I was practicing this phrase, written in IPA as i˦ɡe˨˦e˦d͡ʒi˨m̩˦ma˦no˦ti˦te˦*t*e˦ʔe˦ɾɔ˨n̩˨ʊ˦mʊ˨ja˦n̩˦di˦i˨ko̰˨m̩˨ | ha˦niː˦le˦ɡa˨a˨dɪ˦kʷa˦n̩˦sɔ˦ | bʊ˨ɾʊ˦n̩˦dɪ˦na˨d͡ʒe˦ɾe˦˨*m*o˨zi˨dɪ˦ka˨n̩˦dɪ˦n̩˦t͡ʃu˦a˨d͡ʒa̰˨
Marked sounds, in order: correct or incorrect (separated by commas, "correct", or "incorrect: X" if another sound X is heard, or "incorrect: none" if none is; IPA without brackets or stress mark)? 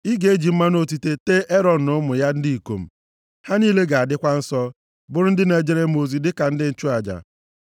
correct, correct